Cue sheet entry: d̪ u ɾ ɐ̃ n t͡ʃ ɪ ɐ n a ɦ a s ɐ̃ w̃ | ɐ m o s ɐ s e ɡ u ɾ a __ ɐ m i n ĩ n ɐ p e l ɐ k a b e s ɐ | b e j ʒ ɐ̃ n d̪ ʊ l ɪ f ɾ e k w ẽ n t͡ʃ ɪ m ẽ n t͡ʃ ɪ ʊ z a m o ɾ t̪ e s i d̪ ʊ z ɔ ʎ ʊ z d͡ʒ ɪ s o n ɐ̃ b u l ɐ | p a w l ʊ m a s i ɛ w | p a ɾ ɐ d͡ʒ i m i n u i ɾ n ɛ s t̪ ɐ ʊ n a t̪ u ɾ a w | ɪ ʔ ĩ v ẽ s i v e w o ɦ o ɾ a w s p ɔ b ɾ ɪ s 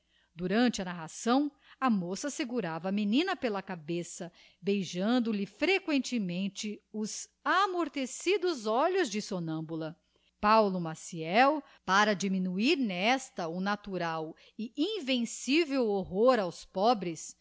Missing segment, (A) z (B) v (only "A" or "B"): B